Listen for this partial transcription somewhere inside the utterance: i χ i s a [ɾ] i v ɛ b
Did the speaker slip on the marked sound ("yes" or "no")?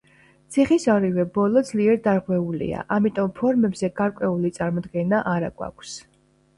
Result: no